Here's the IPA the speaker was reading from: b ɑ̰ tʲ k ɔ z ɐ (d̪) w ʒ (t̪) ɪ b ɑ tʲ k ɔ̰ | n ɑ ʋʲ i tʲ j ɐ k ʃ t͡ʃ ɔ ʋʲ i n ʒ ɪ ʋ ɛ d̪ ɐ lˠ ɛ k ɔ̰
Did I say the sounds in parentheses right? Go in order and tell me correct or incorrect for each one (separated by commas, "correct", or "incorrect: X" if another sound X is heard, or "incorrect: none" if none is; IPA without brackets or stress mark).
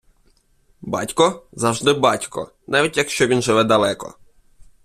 incorrect: none, incorrect: d̪